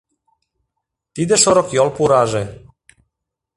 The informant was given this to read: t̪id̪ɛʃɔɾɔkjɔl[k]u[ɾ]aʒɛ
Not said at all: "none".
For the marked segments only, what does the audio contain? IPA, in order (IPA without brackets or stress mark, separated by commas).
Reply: p, ɾ